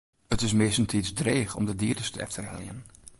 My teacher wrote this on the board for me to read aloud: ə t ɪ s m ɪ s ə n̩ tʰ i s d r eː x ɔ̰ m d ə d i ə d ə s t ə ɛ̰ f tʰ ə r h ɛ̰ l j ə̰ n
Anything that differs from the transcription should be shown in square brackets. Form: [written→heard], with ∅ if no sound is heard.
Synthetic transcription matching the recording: ə t ɪ s m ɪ s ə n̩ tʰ i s d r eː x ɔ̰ m d ə d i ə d ə s t ə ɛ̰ f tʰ ə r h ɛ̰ l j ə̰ n